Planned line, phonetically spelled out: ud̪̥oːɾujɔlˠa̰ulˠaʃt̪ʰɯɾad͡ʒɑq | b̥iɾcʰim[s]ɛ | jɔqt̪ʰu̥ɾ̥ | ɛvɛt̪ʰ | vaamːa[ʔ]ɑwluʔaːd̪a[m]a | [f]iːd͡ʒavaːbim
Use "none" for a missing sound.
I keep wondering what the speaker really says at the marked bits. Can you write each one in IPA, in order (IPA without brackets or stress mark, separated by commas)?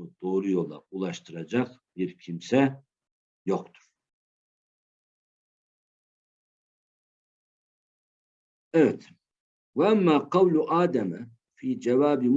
s, q, m, f